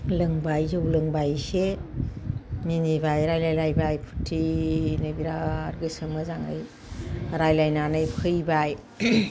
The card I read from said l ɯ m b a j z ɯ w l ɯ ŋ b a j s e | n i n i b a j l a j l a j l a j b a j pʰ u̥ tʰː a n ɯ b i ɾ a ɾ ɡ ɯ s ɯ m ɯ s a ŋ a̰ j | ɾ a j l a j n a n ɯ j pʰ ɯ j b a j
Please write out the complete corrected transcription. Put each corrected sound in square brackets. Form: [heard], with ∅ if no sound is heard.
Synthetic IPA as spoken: l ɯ [ŋ] b a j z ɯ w l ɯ ŋ b a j s e | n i n i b a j [ɾ] a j l a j l a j b a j pʰ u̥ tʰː [i] n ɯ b i ɾ a ɾ ɡ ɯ s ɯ m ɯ [z] a ŋ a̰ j | ɾ a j l a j n a n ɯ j pʰ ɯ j b a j